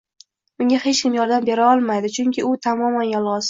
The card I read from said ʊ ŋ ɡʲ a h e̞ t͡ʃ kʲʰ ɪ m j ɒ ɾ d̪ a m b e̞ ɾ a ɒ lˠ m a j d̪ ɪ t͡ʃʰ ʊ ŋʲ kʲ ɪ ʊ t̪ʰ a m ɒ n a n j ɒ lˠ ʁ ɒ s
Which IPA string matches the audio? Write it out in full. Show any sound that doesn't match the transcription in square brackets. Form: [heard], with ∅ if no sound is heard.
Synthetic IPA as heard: ʊ ŋ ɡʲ a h e̞ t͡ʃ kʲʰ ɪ m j ɒ ɾ d̪ a m b e̞ ɾ a ɒ lˠ m a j d̪ ɪ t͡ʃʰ ʊ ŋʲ kʲ ɪ ʊ t̪ʰ a m ɒ [m] a n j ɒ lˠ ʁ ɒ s